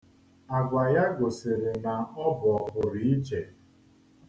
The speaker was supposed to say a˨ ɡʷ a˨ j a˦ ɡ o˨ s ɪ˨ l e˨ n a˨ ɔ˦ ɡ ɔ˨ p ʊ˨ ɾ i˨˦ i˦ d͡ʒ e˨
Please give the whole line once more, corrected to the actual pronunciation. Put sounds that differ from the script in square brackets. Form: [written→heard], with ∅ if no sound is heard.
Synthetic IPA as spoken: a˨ ɡʷ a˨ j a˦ ɡ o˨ s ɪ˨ [l→ɾ] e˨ n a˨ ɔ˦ [ɡ→b] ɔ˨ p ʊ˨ ɾ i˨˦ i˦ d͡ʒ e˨